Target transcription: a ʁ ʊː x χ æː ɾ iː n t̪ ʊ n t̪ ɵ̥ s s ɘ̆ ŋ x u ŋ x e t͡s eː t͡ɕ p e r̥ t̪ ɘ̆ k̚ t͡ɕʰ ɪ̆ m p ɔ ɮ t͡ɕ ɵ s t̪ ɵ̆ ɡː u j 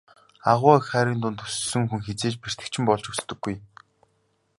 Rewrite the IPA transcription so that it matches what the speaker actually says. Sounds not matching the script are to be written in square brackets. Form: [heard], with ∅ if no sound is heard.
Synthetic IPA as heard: a ʁ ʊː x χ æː ɾ iː n t̪ ʊ n t̪ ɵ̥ s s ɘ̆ ŋ x u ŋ x e t͡s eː t͡ɕ p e r̥ t̪ ɘ̆ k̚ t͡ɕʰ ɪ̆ m p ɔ ɮ t͡ɕ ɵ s t̪ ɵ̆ ɡː u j